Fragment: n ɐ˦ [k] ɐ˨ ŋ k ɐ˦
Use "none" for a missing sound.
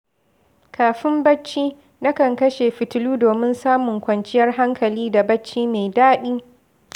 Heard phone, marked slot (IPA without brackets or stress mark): k